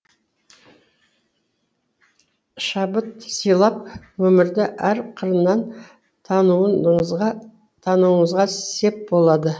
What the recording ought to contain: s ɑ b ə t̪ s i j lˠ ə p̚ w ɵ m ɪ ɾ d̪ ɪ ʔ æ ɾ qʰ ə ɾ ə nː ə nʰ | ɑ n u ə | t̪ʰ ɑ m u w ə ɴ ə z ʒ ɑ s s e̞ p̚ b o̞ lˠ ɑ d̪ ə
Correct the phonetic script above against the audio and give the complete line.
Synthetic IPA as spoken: ʃ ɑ b ə t̪ s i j lˠ ɑ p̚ w ɵ m ɪ ɾ d̪ ɪ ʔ æ ɾ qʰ ə ɾ ə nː ɑ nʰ | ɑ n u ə | t̪ʰ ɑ n u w ə ɴ ə z ʁ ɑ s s e̞ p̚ b o̞ lˠ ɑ d̪ ə